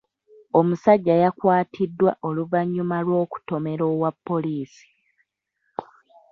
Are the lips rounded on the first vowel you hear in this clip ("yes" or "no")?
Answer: yes